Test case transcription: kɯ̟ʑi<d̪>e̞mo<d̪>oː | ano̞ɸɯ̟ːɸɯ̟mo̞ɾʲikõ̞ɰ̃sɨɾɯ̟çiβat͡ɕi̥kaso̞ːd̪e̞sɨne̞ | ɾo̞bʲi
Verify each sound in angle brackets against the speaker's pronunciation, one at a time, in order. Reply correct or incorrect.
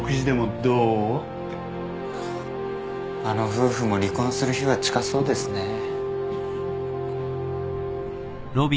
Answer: correct, correct

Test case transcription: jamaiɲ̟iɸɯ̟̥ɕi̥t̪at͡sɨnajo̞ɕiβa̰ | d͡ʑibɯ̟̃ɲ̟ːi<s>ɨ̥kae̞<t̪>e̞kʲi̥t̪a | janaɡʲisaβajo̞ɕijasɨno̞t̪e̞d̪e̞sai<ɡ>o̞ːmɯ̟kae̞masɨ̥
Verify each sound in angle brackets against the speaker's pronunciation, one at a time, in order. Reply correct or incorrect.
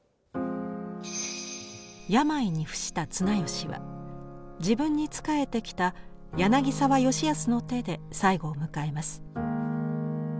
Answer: incorrect, correct, correct

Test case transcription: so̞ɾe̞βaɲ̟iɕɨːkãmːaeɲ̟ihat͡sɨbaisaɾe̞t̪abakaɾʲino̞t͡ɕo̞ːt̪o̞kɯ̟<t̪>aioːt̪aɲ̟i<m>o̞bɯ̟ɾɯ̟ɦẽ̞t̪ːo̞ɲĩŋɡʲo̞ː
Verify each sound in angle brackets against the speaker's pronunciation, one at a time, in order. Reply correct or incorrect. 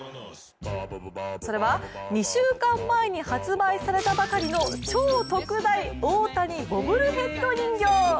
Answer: incorrect, incorrect

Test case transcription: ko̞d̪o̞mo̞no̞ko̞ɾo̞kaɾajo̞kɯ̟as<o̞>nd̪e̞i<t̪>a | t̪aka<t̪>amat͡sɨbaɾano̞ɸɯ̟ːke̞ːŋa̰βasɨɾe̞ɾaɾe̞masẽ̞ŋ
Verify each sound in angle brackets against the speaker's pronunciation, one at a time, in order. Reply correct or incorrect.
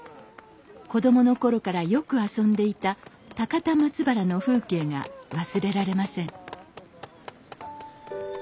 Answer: incorrect, correct, correct

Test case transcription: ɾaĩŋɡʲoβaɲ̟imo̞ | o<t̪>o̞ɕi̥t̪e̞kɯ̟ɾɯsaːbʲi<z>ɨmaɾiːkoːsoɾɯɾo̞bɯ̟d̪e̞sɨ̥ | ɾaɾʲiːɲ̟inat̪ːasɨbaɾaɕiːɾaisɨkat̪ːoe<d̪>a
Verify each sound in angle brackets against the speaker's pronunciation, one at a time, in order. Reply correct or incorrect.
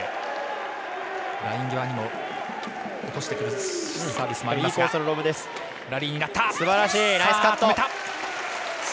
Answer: correct, incorrect, incorrect

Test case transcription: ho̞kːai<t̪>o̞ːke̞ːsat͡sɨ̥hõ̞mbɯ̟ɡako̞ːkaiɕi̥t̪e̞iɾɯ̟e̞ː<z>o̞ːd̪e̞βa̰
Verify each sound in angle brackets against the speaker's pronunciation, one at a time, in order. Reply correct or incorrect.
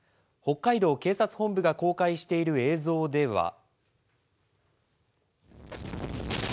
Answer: incorrect, correct

